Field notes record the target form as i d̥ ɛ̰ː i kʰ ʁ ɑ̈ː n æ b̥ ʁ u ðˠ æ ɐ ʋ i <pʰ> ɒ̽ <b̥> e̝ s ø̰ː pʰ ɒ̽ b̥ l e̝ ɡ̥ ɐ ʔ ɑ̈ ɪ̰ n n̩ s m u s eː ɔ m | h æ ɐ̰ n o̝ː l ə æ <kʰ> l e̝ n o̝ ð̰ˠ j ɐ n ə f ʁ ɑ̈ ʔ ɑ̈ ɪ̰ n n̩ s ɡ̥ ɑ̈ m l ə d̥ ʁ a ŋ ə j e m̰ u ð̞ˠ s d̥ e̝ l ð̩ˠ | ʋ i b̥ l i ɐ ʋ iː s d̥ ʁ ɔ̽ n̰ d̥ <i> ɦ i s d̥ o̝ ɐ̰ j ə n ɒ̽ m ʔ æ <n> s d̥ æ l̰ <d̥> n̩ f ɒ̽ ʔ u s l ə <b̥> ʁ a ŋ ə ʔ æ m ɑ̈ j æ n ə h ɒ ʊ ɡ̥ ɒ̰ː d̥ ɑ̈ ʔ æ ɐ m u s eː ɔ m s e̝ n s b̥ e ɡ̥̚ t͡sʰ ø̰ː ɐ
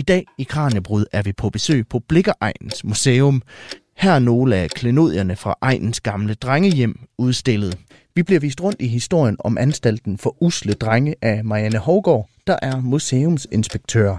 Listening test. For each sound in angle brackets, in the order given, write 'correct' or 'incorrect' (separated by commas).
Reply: correct, correct, correct, correct, correct, correct, incorrect